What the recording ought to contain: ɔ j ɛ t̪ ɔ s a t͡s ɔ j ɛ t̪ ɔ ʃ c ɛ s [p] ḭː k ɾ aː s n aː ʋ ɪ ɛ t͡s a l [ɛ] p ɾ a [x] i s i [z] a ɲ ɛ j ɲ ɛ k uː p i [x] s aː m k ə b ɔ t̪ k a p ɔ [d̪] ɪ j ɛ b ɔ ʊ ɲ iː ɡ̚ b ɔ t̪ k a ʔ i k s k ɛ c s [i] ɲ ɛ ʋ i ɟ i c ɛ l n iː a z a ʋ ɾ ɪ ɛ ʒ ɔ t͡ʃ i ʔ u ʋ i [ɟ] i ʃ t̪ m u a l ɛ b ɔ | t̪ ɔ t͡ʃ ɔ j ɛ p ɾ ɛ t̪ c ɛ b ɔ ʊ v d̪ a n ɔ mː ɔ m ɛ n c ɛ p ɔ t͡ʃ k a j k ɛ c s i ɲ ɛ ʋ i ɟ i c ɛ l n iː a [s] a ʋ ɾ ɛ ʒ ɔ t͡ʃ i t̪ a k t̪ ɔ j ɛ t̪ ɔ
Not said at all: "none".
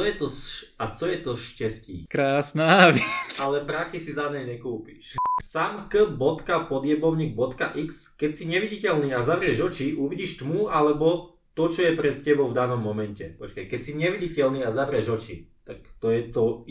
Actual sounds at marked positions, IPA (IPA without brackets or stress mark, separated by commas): c, ɛ, x, z, ʃ, d̪, i, ɟ, z